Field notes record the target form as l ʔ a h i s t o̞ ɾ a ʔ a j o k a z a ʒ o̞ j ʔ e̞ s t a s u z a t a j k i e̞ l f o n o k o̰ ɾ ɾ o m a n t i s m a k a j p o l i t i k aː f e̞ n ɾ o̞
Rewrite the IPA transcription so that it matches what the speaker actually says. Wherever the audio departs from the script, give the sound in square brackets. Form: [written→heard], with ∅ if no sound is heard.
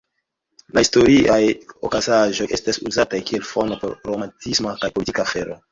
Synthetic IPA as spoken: l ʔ a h i s t o̞ ɾ [a→i] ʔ a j o k a z a ʒ o̞ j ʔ e̞ s t a s u z a t a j k i e̞ l f o n o [k→p] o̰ ɾ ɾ o m a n t i s m a k a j p o l i t i k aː f e̞ [n→∅] ɾ o̞